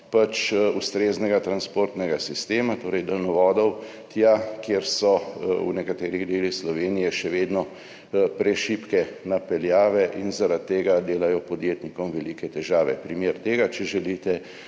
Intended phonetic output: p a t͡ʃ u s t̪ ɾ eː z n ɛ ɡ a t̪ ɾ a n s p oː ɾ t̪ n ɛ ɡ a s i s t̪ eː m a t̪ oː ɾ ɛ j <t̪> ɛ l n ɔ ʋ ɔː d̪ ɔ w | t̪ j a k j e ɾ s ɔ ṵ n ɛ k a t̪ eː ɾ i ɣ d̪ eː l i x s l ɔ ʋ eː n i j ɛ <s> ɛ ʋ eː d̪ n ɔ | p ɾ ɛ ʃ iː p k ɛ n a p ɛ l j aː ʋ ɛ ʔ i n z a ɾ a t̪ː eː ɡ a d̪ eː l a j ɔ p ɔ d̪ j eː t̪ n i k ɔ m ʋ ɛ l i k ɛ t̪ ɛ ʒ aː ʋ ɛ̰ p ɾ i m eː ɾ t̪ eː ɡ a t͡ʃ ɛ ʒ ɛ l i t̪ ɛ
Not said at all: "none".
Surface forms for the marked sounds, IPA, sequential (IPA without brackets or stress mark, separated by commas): d̪, ʃ